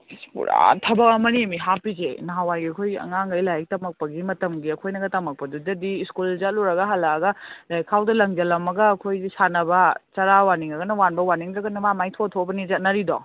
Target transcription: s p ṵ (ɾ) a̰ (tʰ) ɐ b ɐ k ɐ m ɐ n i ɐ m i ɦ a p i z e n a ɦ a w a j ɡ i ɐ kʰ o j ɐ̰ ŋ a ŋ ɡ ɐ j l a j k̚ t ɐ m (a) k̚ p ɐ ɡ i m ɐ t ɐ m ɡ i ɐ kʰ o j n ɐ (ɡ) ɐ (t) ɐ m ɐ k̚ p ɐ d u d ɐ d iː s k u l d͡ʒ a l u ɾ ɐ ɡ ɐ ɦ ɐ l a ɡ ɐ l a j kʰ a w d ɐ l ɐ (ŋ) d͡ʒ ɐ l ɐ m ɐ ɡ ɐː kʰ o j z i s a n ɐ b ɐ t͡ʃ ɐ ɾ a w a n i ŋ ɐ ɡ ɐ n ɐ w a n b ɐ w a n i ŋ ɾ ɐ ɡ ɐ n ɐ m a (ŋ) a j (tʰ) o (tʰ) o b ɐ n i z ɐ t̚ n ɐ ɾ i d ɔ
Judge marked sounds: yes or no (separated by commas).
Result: yes, yes, no, yes, yes, yes, no, yes, yes